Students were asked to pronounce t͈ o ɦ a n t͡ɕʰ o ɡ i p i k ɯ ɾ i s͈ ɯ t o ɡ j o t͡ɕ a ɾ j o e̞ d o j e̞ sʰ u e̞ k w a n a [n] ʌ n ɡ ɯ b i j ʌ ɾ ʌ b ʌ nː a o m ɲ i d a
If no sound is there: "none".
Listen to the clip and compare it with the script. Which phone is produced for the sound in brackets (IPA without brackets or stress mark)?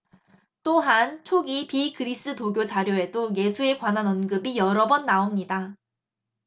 n